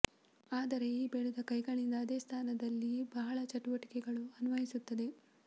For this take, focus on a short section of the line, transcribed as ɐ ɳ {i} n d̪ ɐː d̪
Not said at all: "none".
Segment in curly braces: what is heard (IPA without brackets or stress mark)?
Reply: i